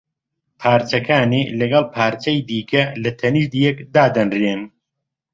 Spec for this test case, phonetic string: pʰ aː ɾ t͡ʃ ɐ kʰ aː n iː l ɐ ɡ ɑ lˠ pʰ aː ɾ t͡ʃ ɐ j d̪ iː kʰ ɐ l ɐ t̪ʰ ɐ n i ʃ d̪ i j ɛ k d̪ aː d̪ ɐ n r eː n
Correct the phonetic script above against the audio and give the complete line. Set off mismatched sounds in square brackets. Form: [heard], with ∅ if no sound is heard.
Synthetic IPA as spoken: pʰ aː ɾ t͡ʃ ɐ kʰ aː n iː l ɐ ɡ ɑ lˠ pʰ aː ɾ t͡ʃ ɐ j d̪ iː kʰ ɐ l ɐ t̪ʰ ɐ n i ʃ d̪ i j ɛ k d̪ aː d̪ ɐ n r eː n